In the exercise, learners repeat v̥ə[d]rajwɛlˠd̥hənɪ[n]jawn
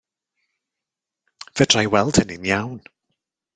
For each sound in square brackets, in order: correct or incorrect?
correct, correct

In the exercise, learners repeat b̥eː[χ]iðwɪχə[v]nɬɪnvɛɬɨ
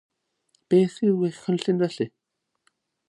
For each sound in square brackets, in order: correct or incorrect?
incorrect, incorrect

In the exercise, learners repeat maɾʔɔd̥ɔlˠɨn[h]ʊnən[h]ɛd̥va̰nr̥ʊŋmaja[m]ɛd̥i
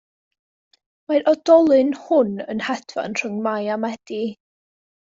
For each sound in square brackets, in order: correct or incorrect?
correct, correct, correct

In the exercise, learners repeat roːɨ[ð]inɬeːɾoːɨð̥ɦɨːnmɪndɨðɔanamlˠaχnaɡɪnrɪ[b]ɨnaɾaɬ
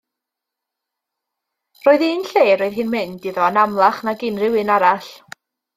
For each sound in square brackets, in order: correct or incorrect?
correct, incorrect

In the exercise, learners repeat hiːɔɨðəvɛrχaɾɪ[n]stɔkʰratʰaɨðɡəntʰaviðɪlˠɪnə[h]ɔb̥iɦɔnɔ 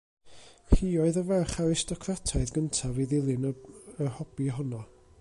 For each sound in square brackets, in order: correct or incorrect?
incorrect, correct

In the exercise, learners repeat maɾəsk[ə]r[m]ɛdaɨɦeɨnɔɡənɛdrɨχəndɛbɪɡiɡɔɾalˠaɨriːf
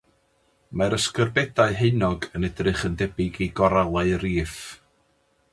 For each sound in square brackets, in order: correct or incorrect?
correct, incorrect

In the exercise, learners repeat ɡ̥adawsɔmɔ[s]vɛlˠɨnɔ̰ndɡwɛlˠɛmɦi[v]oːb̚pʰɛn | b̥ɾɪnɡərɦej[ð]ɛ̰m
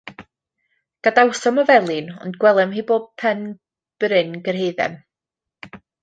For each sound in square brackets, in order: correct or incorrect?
incorrect, incorrect, correct

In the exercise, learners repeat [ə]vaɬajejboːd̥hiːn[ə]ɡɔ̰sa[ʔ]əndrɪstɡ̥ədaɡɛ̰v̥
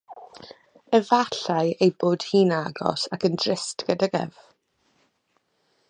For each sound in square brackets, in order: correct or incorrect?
correct, incorrect, incorrect

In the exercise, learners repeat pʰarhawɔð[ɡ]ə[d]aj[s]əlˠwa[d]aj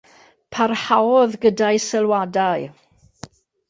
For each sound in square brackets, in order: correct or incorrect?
correct, correct, correct, correct

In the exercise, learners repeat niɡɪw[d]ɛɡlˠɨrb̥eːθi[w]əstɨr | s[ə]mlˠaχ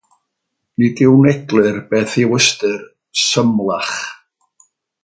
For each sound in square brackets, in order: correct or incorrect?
incorrect, correct, correct

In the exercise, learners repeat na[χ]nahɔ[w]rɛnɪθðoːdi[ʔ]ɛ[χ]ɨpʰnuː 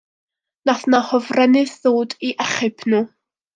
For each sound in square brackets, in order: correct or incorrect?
incorrect, incorrect, correct, correct

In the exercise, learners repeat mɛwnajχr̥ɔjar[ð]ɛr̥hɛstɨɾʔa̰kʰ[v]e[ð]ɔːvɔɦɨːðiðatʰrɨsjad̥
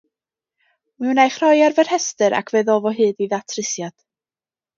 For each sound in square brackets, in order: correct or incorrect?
incorrect, correct, correct

